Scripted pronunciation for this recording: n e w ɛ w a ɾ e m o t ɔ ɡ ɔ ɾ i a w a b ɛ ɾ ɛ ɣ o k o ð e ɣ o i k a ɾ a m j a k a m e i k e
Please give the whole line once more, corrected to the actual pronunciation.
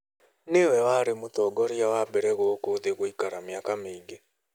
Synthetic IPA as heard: n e w ɛ w a ɾ e m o t ɔ ɡ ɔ ɾ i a w a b ɛ ɾ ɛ ɣ o k o ð e ɣ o i k a ɾ a m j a k a m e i ɡ e